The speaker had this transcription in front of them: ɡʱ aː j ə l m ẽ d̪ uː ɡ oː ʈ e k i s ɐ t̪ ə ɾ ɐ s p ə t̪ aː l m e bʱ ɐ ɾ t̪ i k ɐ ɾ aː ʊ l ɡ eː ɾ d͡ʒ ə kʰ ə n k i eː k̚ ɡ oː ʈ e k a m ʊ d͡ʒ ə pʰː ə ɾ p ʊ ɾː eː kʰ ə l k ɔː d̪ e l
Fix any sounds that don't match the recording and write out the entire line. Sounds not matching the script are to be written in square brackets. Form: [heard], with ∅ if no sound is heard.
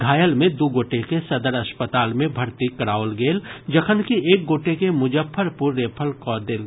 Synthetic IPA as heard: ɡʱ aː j ə l m ẽ d̪ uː ɡ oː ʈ e k [e] s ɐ [d̪] ə ɾ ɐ s p ə t̪ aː l m [ẽ] bʱ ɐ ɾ t̪ i k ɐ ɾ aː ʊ l ɡ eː [l] d͡ʒ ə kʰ ə n k i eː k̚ ɡ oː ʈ e k [e] m ʊ d͡ʒ ə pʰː ə ɾ p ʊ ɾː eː [pʰ] ə l k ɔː d̪ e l